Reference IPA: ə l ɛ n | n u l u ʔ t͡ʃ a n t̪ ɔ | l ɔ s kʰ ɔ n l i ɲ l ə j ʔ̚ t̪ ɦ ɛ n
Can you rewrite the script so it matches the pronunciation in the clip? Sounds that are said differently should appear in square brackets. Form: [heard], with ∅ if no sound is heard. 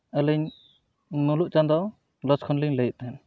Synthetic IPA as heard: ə l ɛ [ɲ] | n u l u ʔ t͡ʃ a n [d̪] ɔ | l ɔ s kʰ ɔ n l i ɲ l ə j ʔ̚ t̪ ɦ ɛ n